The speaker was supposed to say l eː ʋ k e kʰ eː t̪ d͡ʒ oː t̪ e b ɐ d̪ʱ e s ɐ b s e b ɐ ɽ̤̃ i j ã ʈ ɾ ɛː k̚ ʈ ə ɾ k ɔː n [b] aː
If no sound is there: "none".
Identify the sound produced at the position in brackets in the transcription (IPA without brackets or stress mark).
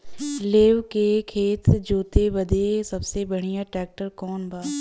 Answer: b